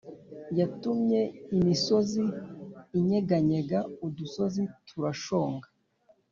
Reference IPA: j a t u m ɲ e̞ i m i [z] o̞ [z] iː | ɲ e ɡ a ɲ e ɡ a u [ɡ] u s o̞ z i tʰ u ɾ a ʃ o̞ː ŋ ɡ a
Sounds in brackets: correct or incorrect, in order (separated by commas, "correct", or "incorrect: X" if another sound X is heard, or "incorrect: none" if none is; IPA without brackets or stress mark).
incorrect: s, correct, incorrect: d